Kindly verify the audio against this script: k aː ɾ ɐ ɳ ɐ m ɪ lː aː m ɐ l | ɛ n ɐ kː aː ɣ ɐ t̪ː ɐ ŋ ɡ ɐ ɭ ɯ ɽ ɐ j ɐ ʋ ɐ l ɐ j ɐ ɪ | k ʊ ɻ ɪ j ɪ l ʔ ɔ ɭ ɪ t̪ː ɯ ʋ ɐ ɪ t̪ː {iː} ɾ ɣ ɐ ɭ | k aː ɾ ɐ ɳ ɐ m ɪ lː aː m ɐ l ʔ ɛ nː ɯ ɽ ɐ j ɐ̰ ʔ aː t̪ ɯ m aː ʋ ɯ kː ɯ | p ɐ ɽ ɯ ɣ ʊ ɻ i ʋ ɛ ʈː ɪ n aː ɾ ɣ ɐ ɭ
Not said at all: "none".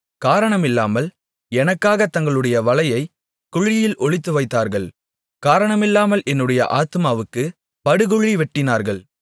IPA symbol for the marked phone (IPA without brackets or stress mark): aː